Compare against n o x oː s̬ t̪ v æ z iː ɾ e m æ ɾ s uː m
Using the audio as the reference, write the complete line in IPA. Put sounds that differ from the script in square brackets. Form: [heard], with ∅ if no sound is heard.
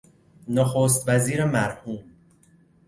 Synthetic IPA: n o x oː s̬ t̪ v æ z iː ɾ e m æ ɾ [h] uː m